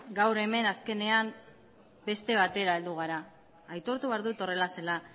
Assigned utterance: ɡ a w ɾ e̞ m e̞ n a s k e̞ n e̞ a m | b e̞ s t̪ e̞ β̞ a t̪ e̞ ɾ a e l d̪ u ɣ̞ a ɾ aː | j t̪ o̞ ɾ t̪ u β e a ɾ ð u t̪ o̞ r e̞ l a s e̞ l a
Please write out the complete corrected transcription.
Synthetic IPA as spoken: ɡ a w ɾ e̞ m e̞ n a s k e̞ n e̞ a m | b e̞ s t̪ e̞ β̞ a t̪ e̞ ɾ a e l d̪ u ɣ̞ a ɾ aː | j t̪ o̞ ɾ t̪ u β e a ɾ ð u t̪ o̞ r e̞ l a s e̞ l a